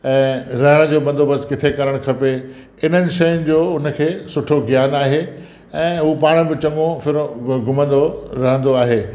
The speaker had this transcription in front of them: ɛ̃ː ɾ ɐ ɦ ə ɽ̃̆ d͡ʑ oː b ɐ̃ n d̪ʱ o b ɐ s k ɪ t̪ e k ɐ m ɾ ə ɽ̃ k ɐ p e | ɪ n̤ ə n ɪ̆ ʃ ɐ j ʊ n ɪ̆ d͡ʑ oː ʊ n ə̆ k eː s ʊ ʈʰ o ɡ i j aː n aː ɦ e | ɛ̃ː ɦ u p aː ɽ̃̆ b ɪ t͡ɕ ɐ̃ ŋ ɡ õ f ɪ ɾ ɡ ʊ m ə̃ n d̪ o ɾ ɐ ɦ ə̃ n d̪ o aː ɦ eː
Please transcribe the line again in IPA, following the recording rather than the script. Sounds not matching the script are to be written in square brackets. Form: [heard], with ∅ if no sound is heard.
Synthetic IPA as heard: ɛ̃ː ɾ ɐ ɦ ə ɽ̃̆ d͡ʑ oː b ɐ̃ n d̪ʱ o b ɐ s k ɪ [t̪ʰ] e k ɐ [∅] ɾ ə ɽ̃ [kʰ] ɐ p e | ɪ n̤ ə n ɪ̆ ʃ ɐ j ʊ n ɪ̆ d͡ʑ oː ʊ n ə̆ [kʰ] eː s ʊ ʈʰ o ɡ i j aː n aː ɦ e | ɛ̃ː ɦ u p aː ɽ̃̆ b ɪ t͡ɕ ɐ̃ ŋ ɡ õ f ɪ ɾ ɡ ʊ m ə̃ n d̪ o ɾ ɐ ɦ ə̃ n d̪ o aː ɦ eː

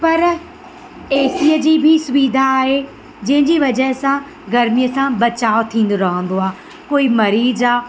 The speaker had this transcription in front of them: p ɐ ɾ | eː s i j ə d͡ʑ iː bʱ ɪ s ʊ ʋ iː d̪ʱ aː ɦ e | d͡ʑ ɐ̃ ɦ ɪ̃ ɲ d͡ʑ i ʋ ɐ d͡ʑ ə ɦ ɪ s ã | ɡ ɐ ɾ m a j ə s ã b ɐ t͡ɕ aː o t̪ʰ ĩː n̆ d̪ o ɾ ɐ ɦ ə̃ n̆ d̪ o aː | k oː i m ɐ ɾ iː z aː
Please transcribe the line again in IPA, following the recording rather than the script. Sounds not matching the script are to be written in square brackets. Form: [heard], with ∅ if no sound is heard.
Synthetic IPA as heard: p ɐ ɾ | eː s i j ə d͡ʑ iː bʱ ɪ s ʊ ʋ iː d̪ʱ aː ɦ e | d͡ʑ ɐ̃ ɦ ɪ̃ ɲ d͡ʑ i ʋ ɐ d͡ʑ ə ɦ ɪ s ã | ɡ ɐ ɾ m [i] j ə s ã b ɐ t͡ɕ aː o t̪ʰ ĩː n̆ d̪ o ɾ ɐ ɦ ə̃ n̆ d̪ o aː | k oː i m ɐ ɾ iː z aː

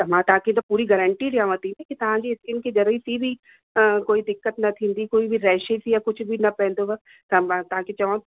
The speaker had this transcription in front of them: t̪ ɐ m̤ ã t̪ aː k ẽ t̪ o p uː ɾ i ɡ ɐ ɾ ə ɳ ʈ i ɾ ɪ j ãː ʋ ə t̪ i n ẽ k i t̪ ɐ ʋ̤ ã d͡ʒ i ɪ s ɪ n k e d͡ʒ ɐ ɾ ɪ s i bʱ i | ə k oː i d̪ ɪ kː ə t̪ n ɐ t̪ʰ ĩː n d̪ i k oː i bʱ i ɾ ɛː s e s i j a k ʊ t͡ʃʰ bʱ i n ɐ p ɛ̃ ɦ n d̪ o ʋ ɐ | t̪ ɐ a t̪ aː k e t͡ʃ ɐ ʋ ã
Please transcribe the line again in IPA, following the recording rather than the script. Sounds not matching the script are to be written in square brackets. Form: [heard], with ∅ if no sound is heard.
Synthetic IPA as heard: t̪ ɐ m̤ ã t̪ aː k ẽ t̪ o p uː ɾ i ɡ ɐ ɾ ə ɳ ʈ i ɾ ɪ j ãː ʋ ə t̪ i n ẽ k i t̪ ɐ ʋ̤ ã d͡ʒ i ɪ s ɪ n k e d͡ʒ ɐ ɾ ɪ s i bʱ i | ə k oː i d̪ ɪ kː ə t̪ n ɐ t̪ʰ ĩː n d̪ i k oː i bʱ i ɾ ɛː [ʃ] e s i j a k ʊ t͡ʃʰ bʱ i n ɐ p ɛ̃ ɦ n d̪ o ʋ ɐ | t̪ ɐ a t̪ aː k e t͡ʃ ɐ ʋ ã

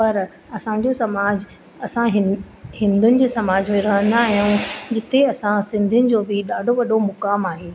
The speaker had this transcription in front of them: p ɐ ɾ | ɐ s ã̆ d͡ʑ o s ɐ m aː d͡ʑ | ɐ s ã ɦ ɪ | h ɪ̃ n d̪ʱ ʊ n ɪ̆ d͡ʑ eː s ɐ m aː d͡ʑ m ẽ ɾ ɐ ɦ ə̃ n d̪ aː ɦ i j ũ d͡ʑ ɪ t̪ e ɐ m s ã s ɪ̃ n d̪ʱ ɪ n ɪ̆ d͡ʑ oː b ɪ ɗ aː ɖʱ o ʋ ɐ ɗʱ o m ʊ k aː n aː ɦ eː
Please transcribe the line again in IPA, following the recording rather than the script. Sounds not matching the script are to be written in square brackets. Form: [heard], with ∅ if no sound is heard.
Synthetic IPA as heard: p ɐ ɾ | ɐ s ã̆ d͡ʑ o s ɐ m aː d͡ʑ | ɐ s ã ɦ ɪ | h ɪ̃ n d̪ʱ ʊ n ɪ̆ d͡ʑ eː s ɐ m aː d͡ʑ m ẽ ɾ ɐ ɦ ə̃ n d̪ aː ɦ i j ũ d͡ʑ ɪ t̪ e ɐ [∅] s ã s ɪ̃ n d̪ʱ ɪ n ɪ̆ d͡ʑ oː b ɪ ɗ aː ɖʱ o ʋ ɐ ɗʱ o m ʊ k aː [m] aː ɦ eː

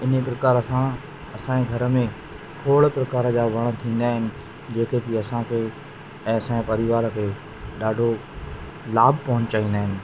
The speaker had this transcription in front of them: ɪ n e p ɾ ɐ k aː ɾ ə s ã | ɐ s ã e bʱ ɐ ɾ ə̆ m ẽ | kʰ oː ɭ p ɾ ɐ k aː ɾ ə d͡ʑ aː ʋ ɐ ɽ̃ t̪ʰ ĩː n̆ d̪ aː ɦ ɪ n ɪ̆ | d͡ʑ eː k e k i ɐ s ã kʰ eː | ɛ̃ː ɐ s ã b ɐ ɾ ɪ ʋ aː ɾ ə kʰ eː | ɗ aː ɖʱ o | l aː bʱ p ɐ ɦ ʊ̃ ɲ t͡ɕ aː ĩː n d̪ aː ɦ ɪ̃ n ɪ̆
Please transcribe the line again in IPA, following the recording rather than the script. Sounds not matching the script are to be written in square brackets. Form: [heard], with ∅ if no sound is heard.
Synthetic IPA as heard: ɪ n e p ɾ ɐ k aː ɾ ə s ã | ɐ s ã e [ɡʱ] ɐ ɾ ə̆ m ẽ | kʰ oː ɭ p ɾ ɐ k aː ɾ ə d͡ʑ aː ʋ ɐ ɽ̃ t̪ʰ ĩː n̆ d̪ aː ɦ ɪ n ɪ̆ | d͡ʑ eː k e k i ɐ s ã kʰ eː | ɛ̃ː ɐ s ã [p] ɐ ɾ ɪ ʋ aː ɾ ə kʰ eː | ɗ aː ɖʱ o | l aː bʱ p ɐ ɦ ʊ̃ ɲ t͡ɕ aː ĩː n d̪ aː ɦ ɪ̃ n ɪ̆

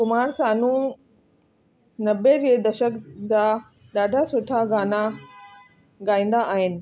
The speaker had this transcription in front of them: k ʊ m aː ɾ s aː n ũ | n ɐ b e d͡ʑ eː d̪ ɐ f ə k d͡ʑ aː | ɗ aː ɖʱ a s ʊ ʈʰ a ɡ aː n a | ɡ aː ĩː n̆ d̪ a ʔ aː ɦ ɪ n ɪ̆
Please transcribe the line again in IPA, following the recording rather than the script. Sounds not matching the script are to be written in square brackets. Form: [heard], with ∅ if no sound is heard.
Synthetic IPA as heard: k ʊ m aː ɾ s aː n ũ | n ɐ b e d͡ʑ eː d̪ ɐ [ʃ] ə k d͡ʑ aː | ɗ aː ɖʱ a s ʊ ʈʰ a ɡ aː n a | ɡ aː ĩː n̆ d̪ a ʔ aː ɦ ɪ n ɪ̆

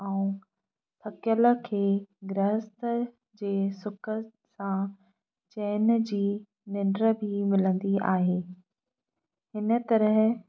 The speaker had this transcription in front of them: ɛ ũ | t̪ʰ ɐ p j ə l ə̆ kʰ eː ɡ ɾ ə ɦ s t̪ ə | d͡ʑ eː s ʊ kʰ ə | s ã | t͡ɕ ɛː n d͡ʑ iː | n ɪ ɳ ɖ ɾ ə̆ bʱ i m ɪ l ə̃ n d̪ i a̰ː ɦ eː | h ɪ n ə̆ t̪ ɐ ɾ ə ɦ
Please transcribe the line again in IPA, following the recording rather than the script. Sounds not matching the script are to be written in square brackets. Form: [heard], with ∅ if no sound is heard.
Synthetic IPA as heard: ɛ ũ | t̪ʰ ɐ [k] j ə l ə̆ kʰ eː ɡ ɾ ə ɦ s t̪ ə | d͡ʑ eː s ʊ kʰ ə | s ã | t͡ɕ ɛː n d͡ʑ iː | n ɪ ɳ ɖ ɾ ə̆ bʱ i m ɪ l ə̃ n d̪ i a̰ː ɦ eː | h ɪ n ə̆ t̪ ɐ ɾ ə ɦ

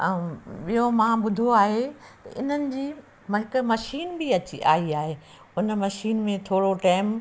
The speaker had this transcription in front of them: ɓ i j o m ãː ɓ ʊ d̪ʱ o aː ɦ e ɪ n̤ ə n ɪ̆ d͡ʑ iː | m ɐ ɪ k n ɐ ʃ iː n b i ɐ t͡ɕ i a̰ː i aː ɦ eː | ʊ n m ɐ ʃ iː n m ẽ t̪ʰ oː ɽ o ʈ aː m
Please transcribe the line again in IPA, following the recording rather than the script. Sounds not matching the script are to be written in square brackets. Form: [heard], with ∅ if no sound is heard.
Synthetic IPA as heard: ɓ i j o m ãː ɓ ʊ d̪ʱ o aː ɦ e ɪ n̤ ə n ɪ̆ d͡ʑ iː | m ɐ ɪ k [m] ɐ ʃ iː n b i ɐ t͡ɕ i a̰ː i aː ɦ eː | ʊ n m ɐ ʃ iː n m ẽ t̪ʰ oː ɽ o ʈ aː m

